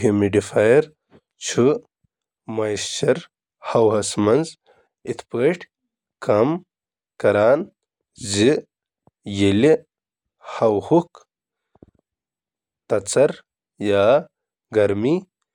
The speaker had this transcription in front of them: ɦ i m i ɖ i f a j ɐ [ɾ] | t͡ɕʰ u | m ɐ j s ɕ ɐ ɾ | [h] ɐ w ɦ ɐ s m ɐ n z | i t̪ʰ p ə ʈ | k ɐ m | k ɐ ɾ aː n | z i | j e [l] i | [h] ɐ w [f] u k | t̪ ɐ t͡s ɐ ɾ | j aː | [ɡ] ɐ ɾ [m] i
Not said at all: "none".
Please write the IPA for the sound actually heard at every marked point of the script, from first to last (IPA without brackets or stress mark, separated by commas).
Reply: ɾ, h, l, h, h, ɡ, m